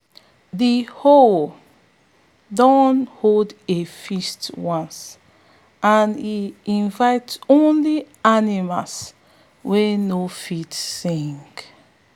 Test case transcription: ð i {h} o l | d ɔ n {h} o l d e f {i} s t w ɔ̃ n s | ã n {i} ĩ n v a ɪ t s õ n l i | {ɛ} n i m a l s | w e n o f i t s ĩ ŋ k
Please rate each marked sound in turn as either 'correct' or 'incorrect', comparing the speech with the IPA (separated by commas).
correct, correct, correct, correct, incorrect